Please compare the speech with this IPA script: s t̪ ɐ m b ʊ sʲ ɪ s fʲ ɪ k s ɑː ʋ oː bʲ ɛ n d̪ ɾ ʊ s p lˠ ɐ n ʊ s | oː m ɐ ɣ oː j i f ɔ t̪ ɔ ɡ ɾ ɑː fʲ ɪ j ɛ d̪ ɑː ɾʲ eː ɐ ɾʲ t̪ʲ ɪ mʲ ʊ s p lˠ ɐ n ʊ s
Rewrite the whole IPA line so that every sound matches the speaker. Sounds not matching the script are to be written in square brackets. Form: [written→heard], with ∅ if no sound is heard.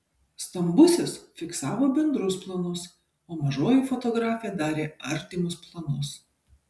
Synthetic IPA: s t̪ ɐ m b ʊ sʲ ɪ s fʲ ɪ k s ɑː ʋ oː bʲ ɛ n d̪ ɾ ʊ s p lˠ ɐ n ʊ s | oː m ɐ [ɣ→ʒ] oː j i f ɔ t̪ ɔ ɡ ɾ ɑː fʲ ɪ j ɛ d̪ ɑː ɾʲ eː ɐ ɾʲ t̪ʲ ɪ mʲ ʊ s p lˠ ɐ n ʊ s